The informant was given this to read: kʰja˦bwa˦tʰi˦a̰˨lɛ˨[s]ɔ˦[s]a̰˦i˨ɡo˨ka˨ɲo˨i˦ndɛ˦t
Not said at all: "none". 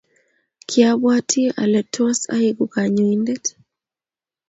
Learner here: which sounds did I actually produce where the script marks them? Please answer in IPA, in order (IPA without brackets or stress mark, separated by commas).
t, s